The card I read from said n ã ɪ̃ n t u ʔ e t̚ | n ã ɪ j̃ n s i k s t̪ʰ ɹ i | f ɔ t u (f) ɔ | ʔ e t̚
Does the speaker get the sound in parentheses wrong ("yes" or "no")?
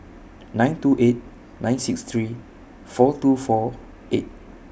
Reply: no